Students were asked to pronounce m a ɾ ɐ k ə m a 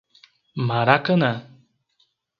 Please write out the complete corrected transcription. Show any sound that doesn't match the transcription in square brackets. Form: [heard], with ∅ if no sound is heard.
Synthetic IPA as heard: m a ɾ [a] k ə [n] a